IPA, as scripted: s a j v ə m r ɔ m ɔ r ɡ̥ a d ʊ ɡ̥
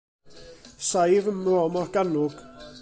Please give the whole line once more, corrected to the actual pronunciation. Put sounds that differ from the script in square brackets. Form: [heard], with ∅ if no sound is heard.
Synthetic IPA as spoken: s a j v ə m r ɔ m ɔ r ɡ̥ a [n] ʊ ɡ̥